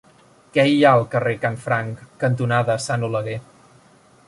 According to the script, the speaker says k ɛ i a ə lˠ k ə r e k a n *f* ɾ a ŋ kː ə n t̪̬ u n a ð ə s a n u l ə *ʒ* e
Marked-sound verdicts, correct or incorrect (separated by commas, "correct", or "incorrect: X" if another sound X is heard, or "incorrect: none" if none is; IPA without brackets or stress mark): correct, incorrect: ɣ